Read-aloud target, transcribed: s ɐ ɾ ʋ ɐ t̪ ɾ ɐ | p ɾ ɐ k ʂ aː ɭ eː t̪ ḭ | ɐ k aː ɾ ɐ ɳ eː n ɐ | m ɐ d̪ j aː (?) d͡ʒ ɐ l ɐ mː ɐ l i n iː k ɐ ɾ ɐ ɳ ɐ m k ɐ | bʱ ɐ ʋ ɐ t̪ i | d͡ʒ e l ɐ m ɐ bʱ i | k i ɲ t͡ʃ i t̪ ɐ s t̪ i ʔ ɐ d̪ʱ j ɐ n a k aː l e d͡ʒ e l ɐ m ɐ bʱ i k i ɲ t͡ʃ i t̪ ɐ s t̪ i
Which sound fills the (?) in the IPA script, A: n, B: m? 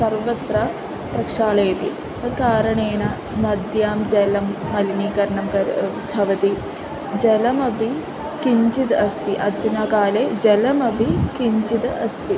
B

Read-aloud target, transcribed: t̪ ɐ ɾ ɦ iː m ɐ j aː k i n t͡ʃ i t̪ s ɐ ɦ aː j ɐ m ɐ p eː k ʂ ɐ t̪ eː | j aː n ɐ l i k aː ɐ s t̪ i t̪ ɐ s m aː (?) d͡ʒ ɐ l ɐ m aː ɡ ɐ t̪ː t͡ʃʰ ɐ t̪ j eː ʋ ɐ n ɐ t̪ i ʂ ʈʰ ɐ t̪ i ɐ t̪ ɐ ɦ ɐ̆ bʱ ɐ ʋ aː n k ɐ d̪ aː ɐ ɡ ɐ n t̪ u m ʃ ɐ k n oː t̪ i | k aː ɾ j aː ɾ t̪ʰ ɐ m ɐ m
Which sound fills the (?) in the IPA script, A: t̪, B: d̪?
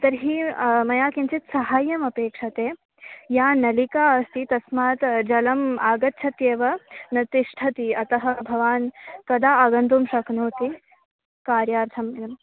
A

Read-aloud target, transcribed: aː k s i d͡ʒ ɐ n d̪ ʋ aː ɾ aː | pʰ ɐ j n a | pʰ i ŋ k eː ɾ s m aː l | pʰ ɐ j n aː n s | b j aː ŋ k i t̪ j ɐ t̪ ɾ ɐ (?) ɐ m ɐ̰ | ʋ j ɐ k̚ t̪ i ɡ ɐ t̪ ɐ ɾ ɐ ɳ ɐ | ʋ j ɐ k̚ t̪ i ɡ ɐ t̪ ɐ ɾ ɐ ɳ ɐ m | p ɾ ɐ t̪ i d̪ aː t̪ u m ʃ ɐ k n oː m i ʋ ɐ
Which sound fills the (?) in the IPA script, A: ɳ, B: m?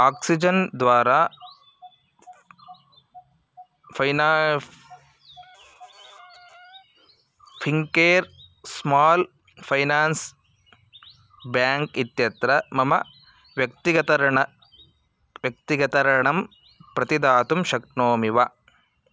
B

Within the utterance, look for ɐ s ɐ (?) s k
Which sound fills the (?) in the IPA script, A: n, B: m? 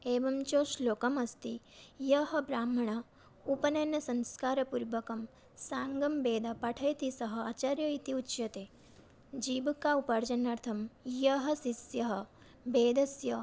A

